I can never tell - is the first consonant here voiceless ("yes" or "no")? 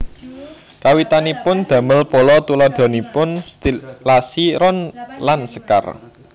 yes